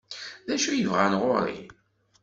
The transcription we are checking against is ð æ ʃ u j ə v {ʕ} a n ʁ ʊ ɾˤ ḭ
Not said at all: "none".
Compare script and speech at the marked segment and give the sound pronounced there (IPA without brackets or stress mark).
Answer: ʁ